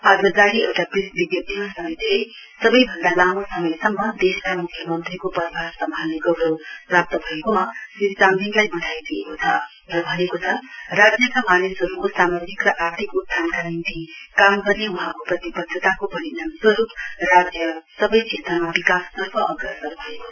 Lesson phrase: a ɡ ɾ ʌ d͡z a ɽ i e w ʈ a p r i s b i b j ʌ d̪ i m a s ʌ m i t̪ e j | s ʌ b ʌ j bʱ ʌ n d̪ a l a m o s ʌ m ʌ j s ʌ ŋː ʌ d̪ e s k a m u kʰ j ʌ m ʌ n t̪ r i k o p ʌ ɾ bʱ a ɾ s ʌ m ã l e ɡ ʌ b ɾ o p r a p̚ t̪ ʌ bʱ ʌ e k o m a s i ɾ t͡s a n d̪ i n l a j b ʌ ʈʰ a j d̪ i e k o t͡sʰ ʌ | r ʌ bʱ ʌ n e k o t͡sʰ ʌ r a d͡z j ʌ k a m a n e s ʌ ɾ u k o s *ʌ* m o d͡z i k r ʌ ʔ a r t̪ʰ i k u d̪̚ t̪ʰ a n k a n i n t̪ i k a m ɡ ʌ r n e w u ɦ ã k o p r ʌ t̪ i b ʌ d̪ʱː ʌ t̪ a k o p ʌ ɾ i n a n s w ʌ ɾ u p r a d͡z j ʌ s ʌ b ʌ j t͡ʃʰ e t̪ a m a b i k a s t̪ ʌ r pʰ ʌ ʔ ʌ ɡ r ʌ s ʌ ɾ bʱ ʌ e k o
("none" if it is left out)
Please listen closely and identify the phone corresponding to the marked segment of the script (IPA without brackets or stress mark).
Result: a